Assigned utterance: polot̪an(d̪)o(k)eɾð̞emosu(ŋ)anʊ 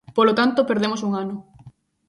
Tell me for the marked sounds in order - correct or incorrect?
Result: incorrect: t̪, incorrect: p, correct

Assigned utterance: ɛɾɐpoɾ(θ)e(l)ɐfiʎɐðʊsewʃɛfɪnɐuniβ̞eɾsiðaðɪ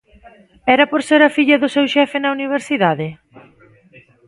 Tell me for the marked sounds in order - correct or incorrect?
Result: incorrect: s, incorrect: ɾ

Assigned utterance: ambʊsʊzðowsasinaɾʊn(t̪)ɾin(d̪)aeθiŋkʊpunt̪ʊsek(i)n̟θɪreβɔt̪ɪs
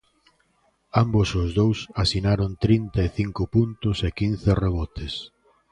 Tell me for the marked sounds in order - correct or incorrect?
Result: correct, incorrect: t̪, correct

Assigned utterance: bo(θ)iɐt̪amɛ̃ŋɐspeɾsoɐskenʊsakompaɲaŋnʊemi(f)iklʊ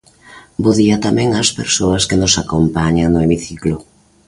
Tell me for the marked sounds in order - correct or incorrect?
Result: incorrect: ð, incorrect: θ

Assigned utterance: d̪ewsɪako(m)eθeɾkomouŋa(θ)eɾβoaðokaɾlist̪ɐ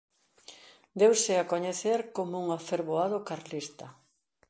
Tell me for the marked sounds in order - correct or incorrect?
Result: incorrect: ɲ, incorrect: f

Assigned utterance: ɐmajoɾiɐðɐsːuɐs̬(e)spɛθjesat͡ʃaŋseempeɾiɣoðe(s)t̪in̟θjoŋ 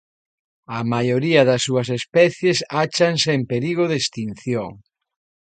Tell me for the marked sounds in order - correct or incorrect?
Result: correct, correct

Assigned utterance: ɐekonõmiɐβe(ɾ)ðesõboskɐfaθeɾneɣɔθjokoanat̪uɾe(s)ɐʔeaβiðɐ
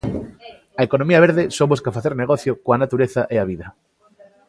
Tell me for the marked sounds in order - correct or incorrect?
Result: correct, incorrect: θ

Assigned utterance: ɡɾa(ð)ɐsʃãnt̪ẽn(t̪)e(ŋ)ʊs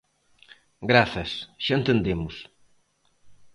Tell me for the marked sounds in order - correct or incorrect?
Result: incorrect: θ, incorrect: d̪, incorrect: m

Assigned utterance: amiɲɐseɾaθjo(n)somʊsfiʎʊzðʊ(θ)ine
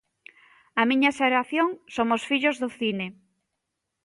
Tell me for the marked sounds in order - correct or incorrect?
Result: incorrect: ŋ, correct

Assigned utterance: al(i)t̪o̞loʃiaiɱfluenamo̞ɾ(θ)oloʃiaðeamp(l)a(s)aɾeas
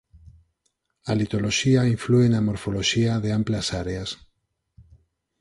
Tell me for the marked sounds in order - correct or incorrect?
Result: correct, incorrect: f, correct, correct

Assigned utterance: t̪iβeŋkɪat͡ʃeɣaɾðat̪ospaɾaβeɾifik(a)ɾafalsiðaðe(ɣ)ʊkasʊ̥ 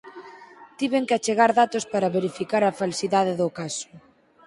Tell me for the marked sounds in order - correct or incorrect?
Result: correct, incorrect: ð

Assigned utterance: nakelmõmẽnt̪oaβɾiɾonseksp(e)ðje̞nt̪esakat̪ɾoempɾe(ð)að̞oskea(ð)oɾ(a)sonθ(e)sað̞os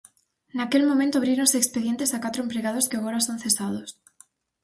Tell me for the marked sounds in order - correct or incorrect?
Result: correct, incorrect: ɣ, incorrect: ɣ, correct, correct

